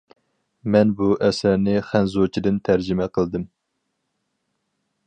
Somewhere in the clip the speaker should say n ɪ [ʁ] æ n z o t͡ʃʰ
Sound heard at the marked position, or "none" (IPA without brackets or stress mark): χ